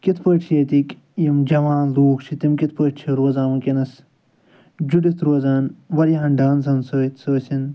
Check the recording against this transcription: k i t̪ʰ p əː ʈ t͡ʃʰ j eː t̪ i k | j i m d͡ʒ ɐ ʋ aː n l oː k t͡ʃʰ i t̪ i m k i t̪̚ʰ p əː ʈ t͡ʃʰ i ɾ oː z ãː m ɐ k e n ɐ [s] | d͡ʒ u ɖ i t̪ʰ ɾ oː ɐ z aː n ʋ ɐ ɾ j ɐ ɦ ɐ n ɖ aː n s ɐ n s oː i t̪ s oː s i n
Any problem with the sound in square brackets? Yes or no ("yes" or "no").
no